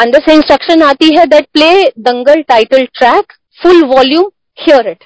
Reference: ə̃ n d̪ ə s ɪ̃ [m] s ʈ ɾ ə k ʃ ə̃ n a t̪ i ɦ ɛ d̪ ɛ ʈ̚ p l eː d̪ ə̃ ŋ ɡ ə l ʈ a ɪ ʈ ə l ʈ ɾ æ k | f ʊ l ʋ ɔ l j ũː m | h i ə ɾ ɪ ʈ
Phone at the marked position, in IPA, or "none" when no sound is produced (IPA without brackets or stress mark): n